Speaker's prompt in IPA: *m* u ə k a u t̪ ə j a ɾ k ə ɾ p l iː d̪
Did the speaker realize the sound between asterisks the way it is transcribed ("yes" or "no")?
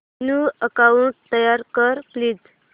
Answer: no